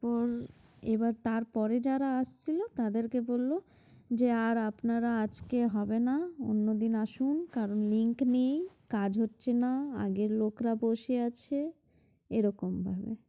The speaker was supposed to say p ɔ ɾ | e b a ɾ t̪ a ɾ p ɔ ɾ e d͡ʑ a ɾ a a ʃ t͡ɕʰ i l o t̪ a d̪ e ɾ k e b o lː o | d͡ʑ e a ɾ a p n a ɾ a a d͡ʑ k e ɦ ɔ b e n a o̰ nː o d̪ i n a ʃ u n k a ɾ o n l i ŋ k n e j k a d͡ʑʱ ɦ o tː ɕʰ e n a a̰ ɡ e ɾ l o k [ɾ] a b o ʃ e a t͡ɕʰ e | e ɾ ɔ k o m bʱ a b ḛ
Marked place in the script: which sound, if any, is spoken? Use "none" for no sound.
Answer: ɾ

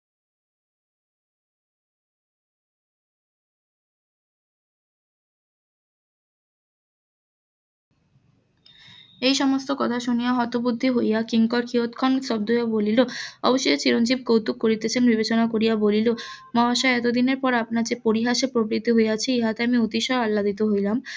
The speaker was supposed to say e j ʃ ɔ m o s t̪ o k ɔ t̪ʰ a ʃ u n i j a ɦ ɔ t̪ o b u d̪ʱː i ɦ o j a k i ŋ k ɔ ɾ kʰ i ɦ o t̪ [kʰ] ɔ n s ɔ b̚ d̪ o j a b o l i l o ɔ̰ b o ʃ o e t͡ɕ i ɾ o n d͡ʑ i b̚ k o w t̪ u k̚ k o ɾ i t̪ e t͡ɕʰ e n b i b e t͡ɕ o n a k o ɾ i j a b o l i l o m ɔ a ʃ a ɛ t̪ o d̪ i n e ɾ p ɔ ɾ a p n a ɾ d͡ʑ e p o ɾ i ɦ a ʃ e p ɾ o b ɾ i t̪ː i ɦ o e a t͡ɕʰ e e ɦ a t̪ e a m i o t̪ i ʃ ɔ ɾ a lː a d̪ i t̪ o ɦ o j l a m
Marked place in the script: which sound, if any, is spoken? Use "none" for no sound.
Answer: kʰ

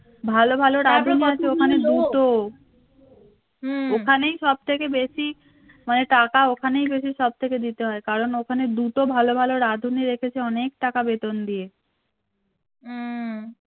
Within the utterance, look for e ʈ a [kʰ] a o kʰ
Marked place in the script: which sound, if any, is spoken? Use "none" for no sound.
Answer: k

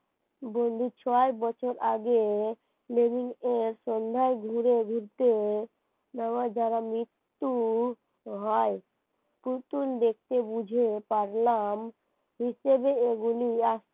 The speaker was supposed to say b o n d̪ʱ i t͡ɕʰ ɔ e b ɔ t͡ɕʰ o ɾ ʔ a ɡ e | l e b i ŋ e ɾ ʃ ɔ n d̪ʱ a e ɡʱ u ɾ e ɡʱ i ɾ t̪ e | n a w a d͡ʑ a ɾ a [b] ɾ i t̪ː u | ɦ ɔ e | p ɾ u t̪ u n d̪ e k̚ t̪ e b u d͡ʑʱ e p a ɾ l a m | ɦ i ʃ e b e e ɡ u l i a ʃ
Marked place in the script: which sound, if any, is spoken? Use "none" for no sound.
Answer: m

